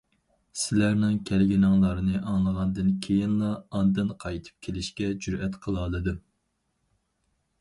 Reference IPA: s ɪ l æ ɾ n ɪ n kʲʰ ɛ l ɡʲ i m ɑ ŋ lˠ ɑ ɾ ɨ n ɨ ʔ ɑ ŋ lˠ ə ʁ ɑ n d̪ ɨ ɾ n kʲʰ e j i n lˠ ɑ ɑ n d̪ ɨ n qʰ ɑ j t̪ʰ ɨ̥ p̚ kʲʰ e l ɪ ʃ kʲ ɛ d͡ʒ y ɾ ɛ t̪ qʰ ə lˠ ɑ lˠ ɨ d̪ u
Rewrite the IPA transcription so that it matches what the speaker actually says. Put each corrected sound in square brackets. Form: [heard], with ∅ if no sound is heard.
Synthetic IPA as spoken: s ɪ l æ ɾ n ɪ [ŋ] kʲʰ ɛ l ɡʲ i [n] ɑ ŋ lˠ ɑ ɾ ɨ n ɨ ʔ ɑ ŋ lˠ ə ʁ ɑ n d̪ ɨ [∅] n kʲʰ e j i n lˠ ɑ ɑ n d̪ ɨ n qʰ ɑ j t̪ʰ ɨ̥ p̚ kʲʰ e l ɪ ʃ kʲ ɛ d͡ʒ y ɾ ɛ t̪ qʰ ə lˠ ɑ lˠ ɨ d̪ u